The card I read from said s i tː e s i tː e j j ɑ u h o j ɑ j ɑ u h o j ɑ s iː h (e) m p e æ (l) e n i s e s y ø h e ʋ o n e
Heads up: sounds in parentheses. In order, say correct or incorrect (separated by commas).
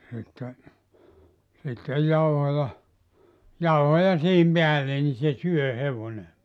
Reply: incorrect, incorrect